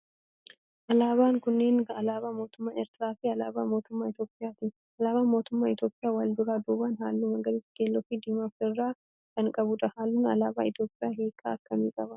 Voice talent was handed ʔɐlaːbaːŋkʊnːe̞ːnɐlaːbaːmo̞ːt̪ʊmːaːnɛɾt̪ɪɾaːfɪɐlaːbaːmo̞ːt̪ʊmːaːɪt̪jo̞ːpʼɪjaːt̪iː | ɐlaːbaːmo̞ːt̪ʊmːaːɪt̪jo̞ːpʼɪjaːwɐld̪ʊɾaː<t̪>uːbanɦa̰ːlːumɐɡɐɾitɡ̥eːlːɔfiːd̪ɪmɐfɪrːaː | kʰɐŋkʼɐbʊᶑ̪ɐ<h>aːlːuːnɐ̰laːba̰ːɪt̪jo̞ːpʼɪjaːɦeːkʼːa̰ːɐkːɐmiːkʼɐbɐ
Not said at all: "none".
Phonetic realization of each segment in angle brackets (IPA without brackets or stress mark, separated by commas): d̪, h